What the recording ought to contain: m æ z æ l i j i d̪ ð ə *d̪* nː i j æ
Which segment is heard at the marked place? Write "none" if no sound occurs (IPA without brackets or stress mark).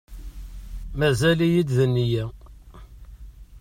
none